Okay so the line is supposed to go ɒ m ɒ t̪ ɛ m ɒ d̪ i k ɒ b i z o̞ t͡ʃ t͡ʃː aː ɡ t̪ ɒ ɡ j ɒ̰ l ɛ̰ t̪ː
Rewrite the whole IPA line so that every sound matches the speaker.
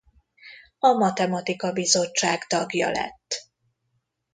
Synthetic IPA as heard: ɒ m ɒ t̪ ɛ m ɒ t̪ i k ɒ b i z o̞ t͡ʃ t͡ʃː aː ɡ t̪ ɒ ɡ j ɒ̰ l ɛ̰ t̪ː